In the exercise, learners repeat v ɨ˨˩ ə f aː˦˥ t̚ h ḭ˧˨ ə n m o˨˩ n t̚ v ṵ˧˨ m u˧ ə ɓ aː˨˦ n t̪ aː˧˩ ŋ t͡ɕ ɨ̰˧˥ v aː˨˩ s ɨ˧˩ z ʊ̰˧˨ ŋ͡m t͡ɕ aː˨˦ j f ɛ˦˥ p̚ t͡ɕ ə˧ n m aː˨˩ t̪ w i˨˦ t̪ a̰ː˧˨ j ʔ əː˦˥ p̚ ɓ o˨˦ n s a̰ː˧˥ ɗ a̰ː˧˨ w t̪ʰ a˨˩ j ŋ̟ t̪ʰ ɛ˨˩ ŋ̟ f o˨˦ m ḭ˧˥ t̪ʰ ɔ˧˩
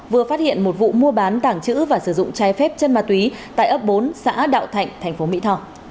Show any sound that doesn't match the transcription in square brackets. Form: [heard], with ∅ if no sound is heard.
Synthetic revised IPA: v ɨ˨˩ ə f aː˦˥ t̚ h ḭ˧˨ ə n m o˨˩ [∅] t̚ v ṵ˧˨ m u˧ ə ɓ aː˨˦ n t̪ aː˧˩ ŋ t͡ɕ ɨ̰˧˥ v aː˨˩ s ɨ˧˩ z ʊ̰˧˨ ŋ͡m t͡ɕ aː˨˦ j f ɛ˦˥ p̚ t͡ɕ ə˧ n m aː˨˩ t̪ w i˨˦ t̪ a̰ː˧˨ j ʔ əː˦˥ p̚ ɓ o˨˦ n s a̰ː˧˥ ɗ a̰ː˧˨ w t̪ʰ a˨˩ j ŋ̟ t̪ʰ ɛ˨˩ ŋ̟ f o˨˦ m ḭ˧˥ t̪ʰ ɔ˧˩